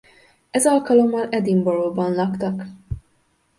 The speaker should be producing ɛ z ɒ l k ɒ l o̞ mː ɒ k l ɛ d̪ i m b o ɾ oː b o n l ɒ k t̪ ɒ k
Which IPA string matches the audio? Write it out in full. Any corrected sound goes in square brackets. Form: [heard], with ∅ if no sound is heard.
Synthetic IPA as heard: ɛ z ɒ l k ɒ l o̞ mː ɒ [∅] l ɛ d̪ i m b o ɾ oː b [ɒ] n l ɒ k t̪ ɒ k